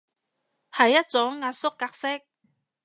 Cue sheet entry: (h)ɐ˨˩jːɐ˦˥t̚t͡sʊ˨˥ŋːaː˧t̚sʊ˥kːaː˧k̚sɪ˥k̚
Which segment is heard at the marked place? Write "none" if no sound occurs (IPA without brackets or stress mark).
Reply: h